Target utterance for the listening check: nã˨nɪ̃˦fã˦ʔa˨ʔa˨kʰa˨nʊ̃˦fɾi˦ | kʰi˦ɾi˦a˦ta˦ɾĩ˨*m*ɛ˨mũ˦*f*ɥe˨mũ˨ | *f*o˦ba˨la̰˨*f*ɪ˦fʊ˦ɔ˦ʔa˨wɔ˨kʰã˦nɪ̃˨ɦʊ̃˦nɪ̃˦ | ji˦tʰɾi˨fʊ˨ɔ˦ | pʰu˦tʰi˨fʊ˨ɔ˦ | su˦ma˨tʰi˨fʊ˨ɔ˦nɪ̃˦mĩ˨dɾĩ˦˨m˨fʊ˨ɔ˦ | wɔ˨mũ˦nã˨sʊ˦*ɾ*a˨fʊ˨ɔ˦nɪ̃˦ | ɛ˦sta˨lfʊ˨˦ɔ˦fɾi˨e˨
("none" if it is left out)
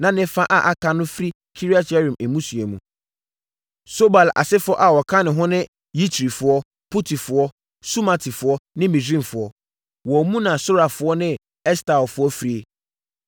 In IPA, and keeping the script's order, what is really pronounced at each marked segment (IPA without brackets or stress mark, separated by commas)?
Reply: m, s, s, s, ɾ